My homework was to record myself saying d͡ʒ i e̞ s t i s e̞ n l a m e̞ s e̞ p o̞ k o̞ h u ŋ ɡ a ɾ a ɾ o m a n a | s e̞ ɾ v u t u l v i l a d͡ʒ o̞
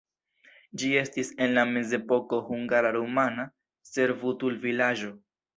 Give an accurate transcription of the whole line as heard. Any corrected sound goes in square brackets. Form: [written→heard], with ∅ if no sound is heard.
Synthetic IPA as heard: d͡ʒ i e̞ s t i s e̞ n l a m e̞ [s→z] e̞ p o̞ k o̞ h u ŋ ɡ a ɾ a ɾ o m a n a | s e̞ ɾ v u t u l v i l a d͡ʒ o̞